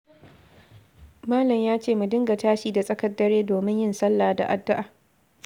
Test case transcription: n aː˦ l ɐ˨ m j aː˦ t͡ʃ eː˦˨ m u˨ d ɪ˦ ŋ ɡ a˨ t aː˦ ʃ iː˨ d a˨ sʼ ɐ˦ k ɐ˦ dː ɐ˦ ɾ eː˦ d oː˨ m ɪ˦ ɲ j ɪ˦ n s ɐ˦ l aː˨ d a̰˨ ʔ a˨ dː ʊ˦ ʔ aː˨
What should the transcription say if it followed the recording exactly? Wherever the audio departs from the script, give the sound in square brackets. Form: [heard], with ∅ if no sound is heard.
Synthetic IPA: [m] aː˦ l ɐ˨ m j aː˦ t͡ʃ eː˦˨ m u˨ d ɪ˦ ŋ ɡ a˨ t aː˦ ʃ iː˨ d a˨ sʼ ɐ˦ k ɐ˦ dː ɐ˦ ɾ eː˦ d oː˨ m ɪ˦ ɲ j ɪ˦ n s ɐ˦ [lː] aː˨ d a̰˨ ʔ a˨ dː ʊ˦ ʔ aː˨